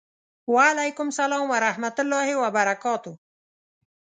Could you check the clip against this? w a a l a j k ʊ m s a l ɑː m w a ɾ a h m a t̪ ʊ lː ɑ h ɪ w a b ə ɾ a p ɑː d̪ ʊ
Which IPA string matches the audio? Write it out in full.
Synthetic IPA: w a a l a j k ʊ m s a l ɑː m w a ɾ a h m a t̪ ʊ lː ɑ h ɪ w a b a ɾ a k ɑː t̪ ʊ